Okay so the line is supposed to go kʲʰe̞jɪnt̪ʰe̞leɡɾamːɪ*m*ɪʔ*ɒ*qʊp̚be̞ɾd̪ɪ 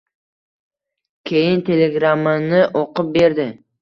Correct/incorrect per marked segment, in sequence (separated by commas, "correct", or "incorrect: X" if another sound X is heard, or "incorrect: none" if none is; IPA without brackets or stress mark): incorrect: n, incorrect: o